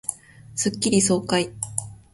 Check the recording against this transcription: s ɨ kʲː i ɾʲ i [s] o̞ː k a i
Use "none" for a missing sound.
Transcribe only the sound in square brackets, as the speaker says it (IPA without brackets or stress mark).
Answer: s